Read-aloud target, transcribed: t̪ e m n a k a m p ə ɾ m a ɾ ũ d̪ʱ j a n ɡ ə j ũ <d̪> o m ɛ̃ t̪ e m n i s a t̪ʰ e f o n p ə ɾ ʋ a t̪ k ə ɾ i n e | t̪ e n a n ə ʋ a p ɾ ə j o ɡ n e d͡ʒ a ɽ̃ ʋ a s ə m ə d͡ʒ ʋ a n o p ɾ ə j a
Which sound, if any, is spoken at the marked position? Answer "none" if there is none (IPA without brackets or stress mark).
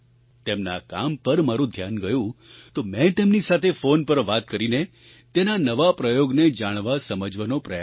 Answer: t̪